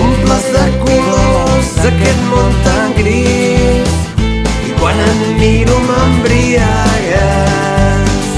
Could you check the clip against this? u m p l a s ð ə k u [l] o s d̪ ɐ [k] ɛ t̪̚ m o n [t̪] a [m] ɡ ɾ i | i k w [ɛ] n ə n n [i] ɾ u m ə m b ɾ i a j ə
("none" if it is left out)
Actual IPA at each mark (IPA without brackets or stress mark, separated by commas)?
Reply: l, k, t̪, ŋ, a, i